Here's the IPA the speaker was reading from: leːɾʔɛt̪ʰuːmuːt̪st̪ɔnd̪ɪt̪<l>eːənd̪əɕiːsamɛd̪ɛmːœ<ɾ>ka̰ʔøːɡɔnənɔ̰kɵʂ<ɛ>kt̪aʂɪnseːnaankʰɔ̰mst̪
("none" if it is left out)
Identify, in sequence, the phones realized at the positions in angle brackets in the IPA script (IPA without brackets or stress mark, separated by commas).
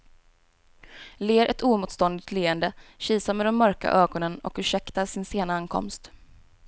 l, ɾ, ɛ